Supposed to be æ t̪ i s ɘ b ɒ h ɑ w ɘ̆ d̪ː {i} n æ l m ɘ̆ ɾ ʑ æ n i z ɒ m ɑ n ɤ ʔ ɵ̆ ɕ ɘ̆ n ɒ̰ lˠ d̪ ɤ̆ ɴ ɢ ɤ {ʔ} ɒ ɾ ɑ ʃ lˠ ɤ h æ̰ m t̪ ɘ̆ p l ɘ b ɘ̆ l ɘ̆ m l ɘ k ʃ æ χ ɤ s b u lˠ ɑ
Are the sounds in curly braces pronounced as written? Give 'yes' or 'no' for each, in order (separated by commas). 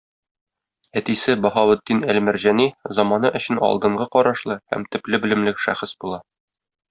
yes, no